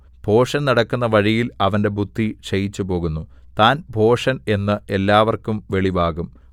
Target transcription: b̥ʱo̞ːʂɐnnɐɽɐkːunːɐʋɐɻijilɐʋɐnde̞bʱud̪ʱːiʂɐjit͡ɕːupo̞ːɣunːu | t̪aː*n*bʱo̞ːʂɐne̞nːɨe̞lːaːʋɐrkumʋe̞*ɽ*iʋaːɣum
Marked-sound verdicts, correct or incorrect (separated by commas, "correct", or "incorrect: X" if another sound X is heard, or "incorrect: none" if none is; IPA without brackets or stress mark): correct, incorrect: ɭ